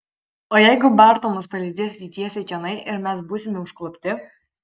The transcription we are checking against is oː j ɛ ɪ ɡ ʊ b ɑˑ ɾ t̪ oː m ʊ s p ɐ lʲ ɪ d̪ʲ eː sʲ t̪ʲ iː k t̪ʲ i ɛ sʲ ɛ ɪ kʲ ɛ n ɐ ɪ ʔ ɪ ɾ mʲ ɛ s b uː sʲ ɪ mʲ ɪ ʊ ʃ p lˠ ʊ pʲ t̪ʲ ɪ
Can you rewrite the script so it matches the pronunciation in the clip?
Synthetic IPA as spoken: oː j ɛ ɪ ɡ ʊ b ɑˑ ɾ t̪ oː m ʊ s p ɐ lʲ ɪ d̪ʲ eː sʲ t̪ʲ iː t̪ʲ i ɛ sʲ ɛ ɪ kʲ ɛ n ɐ ɪ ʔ ɪ ɾ mʲ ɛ s b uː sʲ ɪ mʲ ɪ ʊ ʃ k lˠ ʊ pʲ t̪ʲ ɪ